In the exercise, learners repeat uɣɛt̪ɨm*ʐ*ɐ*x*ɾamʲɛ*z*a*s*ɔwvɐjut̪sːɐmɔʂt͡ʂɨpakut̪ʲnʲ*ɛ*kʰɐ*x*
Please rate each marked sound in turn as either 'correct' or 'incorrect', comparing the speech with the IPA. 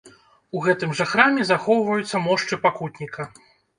correct, correct, correct, incorrect: x, incorrect: i, incorrect: none

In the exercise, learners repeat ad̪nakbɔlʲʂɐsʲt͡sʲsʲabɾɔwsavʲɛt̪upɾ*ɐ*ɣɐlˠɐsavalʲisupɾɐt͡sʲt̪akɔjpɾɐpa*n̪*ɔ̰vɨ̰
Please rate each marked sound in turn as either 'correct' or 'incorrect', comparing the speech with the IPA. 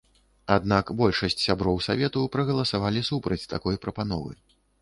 correct, correct

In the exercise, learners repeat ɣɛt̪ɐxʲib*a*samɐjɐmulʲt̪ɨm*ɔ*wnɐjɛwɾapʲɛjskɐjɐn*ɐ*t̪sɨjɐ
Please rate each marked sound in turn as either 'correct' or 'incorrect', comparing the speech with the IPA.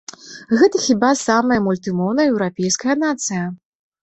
correct, correct, incorrect: a

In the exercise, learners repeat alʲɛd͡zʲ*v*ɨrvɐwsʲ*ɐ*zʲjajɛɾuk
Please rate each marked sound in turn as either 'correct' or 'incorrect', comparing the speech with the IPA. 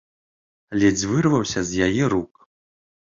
correct, correct

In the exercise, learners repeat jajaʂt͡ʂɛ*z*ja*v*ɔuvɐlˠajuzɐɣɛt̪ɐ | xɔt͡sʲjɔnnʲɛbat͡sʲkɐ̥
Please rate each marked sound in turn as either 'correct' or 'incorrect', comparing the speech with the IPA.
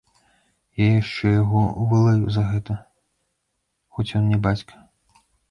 incorrect: none, incorrect: ɣ

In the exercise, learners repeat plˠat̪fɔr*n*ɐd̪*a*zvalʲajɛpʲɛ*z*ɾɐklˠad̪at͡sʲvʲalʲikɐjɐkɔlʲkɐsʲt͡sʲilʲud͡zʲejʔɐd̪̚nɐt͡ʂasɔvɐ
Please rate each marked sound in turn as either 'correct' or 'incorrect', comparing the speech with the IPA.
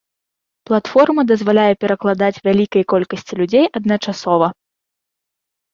incorrect: m, incorrect: ɐ, incorrect: none

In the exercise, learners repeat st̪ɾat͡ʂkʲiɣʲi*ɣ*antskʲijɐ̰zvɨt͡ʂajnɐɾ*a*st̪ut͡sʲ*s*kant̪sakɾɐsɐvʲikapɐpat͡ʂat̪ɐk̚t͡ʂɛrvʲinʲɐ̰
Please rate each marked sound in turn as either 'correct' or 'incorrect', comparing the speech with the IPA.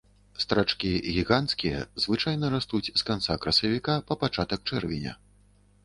correct, correct, correct

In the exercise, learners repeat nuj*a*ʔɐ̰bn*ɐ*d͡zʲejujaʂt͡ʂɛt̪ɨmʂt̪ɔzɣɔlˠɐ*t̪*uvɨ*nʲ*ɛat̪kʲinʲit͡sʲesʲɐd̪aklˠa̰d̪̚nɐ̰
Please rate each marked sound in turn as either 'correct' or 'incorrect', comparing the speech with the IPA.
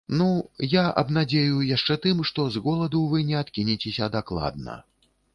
correct, incorrect: a, incorrect: d̪, correct

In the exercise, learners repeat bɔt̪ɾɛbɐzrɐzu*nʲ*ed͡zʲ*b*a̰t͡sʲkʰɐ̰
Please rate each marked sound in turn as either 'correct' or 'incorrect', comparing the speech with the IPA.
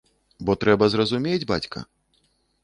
incorrect: mʲ, correct

